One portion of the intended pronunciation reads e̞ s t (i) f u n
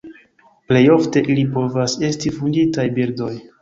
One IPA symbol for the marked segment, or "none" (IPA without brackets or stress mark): i